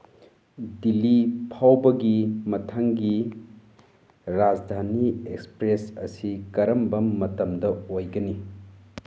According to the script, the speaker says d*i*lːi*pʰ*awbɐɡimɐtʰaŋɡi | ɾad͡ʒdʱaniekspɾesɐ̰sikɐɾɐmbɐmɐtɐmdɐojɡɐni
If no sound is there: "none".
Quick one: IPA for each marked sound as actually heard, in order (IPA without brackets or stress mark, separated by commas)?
i, pʰ